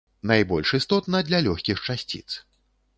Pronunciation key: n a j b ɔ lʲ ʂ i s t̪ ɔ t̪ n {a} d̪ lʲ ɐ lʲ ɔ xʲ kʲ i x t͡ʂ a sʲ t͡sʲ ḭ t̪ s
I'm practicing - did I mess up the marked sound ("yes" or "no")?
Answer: yes